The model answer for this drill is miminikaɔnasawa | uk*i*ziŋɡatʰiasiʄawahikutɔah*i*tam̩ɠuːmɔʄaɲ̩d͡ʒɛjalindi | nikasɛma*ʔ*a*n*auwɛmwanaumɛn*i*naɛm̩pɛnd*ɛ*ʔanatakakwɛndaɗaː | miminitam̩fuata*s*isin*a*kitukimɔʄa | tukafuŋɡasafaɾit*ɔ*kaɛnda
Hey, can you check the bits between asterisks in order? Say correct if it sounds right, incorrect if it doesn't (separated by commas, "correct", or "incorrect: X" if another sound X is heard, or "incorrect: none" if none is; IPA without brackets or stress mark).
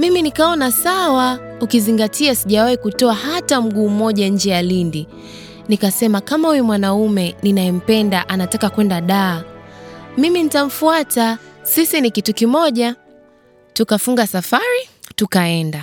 correct, incorrect: a, incorrect: k, incorrect: m, correct, incorrect: a, correct, incorrect: i, incorrect: u